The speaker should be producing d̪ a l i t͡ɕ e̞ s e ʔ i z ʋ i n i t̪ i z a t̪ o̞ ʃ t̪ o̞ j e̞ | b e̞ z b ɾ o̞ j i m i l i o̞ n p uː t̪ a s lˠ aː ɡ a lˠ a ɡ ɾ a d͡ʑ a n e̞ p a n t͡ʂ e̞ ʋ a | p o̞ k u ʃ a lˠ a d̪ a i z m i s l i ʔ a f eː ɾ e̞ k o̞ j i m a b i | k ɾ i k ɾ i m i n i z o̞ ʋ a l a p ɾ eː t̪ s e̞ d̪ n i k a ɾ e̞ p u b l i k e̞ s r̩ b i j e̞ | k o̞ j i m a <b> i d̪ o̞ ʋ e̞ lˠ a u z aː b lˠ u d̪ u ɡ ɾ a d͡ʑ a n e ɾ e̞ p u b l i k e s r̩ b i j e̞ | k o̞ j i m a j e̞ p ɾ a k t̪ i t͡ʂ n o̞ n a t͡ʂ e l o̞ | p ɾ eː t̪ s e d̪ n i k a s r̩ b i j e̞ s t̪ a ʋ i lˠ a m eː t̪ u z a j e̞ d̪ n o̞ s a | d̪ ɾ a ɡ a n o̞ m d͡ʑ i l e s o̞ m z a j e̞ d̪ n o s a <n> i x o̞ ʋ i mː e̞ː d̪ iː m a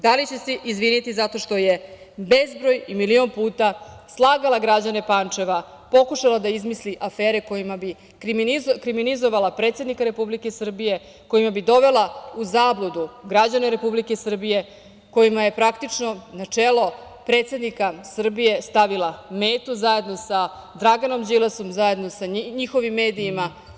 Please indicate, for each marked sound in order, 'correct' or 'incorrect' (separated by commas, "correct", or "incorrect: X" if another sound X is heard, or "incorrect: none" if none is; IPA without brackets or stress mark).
correct, incorrect: ɲ